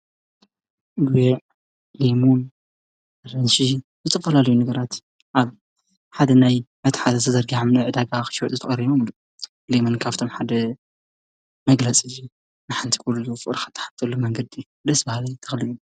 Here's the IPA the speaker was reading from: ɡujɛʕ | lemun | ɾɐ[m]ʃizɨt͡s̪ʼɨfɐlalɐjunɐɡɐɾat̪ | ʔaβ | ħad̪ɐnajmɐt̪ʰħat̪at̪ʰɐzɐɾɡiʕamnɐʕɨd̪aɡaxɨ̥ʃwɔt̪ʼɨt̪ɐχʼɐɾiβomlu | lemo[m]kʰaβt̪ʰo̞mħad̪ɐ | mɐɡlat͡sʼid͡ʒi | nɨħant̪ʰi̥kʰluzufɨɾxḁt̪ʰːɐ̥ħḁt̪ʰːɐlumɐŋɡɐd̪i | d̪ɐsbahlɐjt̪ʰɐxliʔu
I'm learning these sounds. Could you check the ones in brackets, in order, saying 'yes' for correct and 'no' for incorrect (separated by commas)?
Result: no, no